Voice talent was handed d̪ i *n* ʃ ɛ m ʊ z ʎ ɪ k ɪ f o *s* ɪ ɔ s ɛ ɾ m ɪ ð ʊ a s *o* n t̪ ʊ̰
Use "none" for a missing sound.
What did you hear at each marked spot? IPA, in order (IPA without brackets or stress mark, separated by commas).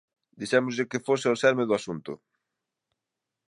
none, s, u